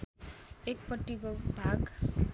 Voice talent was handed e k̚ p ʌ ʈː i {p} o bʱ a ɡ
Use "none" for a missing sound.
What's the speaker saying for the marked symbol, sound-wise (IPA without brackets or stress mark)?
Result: k